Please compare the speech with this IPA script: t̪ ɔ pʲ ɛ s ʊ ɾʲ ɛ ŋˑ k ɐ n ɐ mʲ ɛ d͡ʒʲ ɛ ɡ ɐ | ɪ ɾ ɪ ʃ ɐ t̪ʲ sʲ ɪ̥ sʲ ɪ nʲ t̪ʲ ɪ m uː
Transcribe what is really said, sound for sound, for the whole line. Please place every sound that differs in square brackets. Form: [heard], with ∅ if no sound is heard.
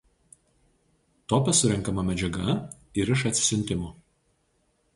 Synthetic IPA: t̪ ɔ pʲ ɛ s ʊ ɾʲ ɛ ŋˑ k ɐ [m] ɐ mʲ ɛ d͡ʒʲ ɛ ɡ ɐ | ɪ ɾ ɪ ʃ ɐ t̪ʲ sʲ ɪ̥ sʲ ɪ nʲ t̪ʲ ɪ m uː